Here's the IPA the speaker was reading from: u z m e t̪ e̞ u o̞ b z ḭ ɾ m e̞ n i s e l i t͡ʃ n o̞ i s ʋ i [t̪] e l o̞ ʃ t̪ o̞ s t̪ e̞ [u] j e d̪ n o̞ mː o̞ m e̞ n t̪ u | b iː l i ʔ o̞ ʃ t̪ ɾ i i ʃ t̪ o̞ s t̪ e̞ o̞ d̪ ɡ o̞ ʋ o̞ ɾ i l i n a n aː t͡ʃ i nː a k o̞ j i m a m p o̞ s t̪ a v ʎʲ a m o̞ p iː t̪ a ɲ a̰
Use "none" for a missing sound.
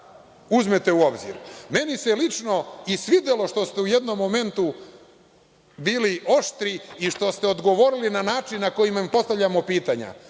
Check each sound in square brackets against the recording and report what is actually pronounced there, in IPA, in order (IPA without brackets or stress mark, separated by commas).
d̪, u